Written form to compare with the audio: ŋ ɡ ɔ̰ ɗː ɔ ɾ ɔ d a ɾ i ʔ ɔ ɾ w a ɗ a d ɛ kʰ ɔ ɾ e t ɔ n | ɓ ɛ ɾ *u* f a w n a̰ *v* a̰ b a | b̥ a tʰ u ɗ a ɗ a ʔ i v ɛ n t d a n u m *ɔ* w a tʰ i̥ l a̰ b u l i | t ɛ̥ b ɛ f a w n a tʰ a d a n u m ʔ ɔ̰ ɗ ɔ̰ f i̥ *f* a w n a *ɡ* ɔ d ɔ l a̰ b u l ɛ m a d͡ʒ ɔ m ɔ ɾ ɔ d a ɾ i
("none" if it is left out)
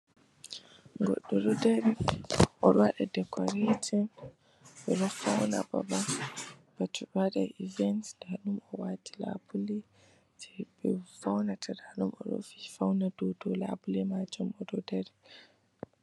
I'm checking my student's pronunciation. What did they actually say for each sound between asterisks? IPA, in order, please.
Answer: ɔ, b, ɔ, f, d

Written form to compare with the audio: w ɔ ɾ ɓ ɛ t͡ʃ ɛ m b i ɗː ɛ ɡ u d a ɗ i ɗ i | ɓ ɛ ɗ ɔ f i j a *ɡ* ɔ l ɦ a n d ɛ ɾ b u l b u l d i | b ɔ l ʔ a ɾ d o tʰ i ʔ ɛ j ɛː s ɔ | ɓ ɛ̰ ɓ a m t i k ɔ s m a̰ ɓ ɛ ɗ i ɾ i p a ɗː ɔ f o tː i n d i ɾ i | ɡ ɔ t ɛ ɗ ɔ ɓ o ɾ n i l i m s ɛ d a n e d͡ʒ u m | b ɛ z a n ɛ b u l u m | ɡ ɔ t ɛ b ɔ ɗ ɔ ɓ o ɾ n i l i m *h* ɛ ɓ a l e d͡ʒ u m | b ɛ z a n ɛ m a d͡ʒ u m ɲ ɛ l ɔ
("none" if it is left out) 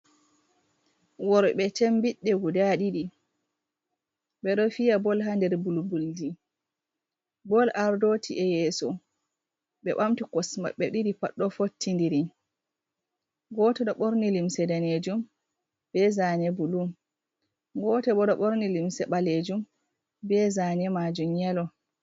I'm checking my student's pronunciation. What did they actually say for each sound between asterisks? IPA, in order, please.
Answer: b, s

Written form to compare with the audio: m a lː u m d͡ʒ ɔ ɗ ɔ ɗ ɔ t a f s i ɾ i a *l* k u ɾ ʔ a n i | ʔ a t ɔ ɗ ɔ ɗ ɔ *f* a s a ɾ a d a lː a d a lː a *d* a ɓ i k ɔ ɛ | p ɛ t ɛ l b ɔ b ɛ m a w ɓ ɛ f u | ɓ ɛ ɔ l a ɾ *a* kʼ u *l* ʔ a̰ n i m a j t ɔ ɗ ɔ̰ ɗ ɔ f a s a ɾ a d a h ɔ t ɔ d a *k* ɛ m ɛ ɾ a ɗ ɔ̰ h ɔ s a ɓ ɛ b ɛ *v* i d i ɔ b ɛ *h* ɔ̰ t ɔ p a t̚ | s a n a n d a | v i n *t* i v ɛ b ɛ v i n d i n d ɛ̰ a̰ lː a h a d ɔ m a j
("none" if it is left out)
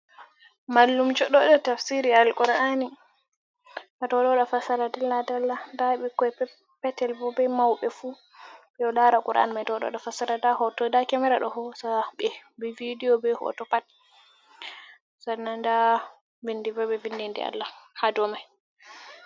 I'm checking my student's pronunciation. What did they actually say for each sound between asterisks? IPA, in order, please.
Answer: l, f, d, a, ɾ, k, v, h, d

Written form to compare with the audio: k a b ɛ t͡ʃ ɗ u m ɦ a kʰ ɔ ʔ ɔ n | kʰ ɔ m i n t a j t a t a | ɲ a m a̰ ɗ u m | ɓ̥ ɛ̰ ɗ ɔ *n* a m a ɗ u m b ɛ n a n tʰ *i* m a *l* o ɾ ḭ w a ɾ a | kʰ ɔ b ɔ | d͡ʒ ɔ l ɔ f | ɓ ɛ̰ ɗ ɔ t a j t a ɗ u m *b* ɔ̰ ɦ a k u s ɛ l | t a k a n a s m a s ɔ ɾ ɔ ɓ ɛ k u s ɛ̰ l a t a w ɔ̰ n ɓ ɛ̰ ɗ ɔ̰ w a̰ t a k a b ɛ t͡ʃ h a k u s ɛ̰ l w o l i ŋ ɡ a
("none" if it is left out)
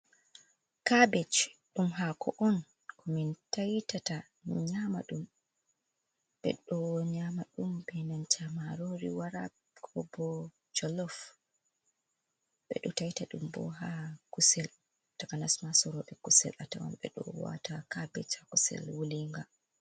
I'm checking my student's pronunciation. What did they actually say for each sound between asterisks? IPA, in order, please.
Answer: ɲ, a, ɾ, b

